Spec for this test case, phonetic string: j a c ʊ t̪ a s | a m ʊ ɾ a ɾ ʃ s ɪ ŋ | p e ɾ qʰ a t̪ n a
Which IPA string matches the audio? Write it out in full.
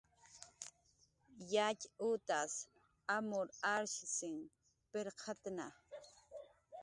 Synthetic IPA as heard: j a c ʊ t̪ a s | a m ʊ ɾ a ɾ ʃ s ɪ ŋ | p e ɾ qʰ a t̪ n a